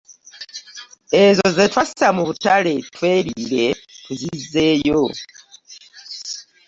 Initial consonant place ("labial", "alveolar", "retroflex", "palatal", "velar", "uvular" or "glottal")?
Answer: alveolar